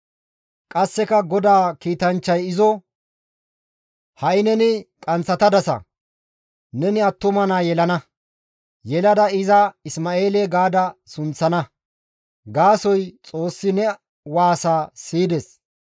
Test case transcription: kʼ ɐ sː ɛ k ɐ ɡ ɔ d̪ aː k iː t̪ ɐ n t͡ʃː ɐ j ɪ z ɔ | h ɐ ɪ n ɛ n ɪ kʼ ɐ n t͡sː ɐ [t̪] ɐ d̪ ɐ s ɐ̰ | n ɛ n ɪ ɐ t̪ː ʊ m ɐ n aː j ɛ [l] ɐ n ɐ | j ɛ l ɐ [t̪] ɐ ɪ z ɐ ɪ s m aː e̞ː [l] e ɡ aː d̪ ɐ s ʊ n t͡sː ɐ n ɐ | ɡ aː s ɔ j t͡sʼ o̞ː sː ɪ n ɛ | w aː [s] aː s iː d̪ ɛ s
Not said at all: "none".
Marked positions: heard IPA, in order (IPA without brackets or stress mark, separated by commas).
t̪, l, d̪, l, s